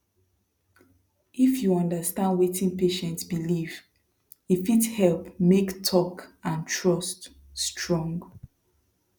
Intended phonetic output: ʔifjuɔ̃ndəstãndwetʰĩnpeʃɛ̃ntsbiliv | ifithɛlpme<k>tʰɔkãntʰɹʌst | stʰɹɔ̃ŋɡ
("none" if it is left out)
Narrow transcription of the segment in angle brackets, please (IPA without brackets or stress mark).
k